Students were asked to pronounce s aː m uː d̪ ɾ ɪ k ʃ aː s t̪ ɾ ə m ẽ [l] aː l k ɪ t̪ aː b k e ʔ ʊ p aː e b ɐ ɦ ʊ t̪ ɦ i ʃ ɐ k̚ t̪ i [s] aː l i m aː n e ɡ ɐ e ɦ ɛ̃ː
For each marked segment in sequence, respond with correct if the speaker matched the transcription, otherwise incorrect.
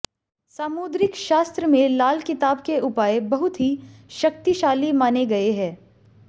correct, incorrect: ʃ

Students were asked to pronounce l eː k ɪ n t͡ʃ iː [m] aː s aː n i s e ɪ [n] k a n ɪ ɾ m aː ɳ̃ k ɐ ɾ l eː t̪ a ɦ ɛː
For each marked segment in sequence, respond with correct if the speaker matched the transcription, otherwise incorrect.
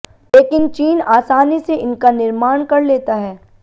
incorrect: n, correct

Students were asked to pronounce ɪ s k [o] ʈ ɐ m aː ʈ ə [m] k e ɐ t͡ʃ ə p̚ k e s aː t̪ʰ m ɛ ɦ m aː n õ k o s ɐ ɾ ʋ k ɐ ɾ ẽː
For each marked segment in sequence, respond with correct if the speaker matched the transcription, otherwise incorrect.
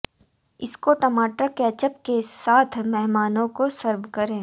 correct, incorrect: none

